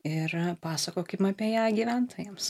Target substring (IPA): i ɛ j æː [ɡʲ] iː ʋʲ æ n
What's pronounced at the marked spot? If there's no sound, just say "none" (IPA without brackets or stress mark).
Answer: ɡʲ